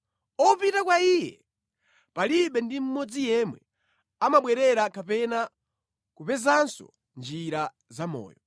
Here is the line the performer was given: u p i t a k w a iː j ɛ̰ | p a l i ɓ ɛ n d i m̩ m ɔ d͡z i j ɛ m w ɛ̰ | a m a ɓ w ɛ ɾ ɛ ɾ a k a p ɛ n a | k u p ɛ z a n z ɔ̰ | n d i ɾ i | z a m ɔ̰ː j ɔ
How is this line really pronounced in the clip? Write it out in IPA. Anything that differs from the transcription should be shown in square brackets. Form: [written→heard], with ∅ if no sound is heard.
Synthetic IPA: [u→ɔ] p i t a k w a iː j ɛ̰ | p a l i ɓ ɛ n d i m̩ m ɔ d͡z i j ɛ m w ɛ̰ | a m a ɓ w ɛ ɾ ɛ ɾ a k a p ɛ n a | k u p ɛ z a n [z→s] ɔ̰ | n [d→d͡ʒ] i ɾ [i→a] | z a m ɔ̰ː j ɔ